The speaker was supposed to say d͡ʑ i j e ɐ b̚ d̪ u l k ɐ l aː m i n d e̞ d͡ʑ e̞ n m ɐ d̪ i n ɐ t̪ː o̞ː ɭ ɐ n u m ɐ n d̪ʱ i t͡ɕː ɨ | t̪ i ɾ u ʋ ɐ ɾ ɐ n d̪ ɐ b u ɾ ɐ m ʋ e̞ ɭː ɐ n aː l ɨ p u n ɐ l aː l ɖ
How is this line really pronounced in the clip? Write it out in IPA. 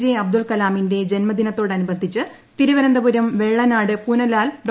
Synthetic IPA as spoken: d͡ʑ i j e ɐ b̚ d̪ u l k ɐ l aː m i n d e̞ d͡ʑ e̞ n m ɐ d̪ i n ɐ t̪ː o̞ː ɽ ɐ n u b ɐ n d̪ʱ i t͡ɕː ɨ | t̪ i ɾ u ʋ ɐ ɾ ɐ n d̪ ɐ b u ɾ ɐ m ʋ e̞ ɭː ɐ n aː ɽ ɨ p u n ɐ l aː l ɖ